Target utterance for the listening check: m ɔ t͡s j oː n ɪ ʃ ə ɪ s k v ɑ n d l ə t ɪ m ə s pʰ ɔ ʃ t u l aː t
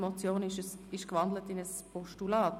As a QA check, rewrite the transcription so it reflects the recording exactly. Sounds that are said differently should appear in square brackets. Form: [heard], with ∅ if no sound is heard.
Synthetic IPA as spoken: m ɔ t͡s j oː n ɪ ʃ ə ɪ [ʃ] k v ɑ n d l ə t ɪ [n] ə s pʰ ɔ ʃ t u l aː t